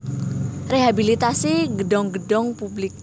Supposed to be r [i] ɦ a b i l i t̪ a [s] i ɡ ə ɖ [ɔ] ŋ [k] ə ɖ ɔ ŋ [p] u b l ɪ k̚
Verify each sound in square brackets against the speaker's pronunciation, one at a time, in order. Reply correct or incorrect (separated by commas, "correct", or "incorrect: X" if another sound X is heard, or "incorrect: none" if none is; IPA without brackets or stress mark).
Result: incorrect: e, correct, correct, incorrect: ɡ, correct